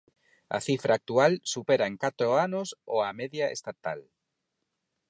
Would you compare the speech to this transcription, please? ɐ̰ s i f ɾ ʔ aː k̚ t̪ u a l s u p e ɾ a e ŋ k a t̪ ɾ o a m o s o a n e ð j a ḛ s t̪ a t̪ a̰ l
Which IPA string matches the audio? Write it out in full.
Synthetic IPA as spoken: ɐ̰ θ i f ɾ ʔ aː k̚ t̪ u a l s u p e ɾ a e ŋ k a t̪ ɾ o a n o s o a m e ð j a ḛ s t̪ a t̪ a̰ l